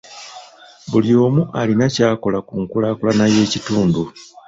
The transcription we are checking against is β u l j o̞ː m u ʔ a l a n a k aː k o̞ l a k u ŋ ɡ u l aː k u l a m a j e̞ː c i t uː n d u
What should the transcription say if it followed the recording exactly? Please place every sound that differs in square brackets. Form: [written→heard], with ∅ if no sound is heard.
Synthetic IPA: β u l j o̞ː m u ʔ a l [a→i] n a [k→c] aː k o̞ l a k u ŋ [ɡ→k] u l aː k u l a [m→n] a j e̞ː c i t uː n d u